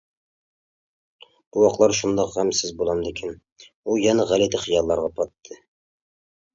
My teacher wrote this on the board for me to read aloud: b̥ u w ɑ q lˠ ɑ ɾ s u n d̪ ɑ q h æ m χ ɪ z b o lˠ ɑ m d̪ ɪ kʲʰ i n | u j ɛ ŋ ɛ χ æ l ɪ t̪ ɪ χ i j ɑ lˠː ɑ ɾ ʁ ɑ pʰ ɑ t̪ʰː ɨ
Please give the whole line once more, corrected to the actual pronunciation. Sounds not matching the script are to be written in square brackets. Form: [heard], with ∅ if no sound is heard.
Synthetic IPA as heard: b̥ u w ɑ q lˠ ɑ ɾ [ʃ] u n d̪ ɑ q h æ m [s] ɪ z b o lˠ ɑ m d̪ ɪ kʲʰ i n | u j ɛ [n] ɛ [ʁ] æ l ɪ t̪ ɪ χ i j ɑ lˠː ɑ ɾ ʁ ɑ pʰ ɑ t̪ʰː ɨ